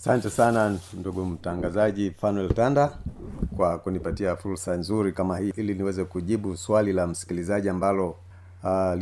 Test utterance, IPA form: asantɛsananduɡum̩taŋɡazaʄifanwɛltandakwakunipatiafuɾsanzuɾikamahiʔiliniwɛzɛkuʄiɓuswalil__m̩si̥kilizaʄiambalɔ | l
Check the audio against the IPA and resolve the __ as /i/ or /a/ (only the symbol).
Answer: a